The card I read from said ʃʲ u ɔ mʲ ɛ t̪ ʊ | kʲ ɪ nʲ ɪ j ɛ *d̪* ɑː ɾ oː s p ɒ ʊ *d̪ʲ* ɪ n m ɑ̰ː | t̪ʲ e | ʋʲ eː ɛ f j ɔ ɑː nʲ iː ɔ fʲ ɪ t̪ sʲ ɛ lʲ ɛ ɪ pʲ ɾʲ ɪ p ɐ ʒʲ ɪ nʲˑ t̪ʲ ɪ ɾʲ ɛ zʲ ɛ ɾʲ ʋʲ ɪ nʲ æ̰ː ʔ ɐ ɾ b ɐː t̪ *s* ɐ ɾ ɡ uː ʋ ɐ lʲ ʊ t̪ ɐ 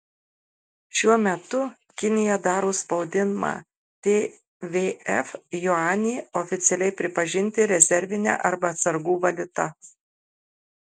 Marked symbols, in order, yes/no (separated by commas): yes, yes, yes